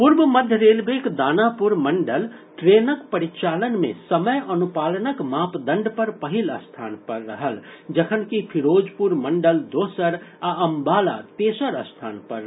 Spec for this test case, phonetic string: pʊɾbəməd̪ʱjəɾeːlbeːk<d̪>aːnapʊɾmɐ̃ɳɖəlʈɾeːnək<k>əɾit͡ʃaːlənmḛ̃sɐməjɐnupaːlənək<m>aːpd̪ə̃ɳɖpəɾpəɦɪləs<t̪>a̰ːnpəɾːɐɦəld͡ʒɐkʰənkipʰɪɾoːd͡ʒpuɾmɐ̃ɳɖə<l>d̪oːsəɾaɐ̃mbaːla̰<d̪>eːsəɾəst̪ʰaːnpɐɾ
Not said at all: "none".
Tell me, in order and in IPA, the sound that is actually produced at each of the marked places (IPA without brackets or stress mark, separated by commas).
d̪, p, m, t̪ʰ, l, t̪